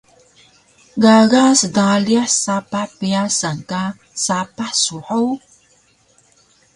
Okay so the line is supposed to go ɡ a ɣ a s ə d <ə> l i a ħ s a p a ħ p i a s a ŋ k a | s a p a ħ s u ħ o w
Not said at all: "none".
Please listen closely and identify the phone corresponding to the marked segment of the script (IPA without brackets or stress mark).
a